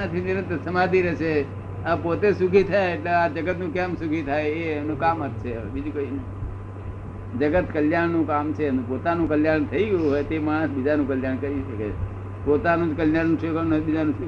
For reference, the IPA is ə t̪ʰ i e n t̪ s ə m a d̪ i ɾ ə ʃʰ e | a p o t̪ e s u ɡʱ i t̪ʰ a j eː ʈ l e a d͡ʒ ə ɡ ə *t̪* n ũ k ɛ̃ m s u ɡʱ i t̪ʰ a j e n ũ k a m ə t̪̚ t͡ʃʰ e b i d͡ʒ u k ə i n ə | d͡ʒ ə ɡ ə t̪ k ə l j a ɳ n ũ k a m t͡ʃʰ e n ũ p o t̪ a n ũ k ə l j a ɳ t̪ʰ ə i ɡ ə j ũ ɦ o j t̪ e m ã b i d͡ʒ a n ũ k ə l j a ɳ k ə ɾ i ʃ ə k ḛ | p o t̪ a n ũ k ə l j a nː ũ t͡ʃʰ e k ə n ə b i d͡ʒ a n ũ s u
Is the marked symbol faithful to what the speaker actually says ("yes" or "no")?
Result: yes